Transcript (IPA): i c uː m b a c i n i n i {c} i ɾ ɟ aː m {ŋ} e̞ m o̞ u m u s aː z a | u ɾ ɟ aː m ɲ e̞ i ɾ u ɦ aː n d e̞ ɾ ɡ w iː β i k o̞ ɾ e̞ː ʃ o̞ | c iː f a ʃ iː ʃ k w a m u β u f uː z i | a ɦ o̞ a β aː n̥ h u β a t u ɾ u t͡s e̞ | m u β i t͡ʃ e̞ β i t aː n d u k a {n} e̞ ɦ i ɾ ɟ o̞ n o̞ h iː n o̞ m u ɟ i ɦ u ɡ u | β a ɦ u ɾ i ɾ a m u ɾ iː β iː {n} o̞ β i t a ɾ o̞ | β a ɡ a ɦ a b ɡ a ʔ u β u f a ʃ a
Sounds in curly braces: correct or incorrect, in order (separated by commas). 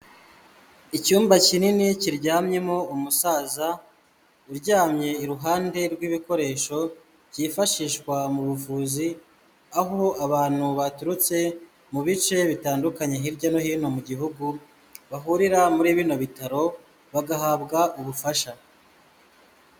correct, incorrect, incorrect, correct